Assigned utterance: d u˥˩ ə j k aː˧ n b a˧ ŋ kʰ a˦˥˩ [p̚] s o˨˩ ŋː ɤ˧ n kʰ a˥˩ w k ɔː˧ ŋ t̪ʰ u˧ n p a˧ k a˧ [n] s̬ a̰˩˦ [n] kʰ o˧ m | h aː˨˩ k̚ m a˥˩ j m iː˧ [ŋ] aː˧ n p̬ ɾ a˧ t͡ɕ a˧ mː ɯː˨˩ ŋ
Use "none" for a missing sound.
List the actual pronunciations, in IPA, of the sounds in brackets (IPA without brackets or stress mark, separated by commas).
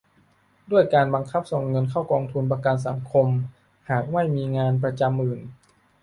p̚, n, ŋ, ŋ